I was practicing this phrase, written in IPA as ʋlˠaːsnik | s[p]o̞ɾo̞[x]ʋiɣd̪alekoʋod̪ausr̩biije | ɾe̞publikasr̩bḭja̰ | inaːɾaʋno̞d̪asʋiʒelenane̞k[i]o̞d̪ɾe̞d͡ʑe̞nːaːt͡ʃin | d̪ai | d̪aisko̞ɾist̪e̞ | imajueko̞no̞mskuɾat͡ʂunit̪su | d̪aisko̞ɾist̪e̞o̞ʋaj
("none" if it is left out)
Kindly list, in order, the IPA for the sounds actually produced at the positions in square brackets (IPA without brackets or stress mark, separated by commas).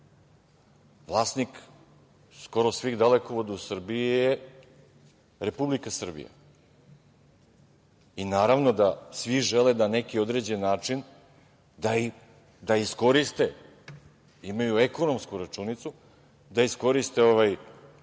k, s, i